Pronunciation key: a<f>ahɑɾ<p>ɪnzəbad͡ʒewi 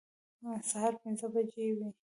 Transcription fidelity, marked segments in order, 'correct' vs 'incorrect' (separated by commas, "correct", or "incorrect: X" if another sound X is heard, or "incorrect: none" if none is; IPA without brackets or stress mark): incorrect: s, correct